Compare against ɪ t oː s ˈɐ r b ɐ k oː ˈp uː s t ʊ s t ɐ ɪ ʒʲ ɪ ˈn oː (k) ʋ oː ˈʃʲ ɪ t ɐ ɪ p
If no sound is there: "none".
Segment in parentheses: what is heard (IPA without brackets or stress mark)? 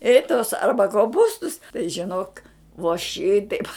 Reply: k